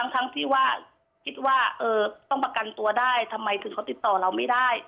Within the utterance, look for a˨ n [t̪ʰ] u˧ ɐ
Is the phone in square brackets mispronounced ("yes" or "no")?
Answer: yes